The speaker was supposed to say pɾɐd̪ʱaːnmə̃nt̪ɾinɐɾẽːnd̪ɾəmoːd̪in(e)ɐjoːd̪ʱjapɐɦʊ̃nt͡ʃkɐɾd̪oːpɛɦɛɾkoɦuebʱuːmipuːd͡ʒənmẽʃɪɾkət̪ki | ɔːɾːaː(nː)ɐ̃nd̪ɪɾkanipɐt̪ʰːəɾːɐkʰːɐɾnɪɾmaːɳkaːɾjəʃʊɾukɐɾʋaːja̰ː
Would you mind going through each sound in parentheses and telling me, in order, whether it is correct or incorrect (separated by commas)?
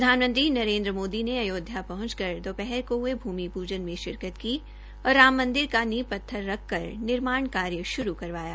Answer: correct, incorrect